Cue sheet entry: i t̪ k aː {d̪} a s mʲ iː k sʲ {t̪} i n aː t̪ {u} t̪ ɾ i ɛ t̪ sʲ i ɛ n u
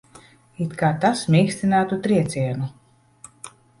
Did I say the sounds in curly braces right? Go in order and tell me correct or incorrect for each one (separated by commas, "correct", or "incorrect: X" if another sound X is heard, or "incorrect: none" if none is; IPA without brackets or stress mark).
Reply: incorrect: t̪, correct, correct